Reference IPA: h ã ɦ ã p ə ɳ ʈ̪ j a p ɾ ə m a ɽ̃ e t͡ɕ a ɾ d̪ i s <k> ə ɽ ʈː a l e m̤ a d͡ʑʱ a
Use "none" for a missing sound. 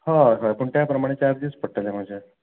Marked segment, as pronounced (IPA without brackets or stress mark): p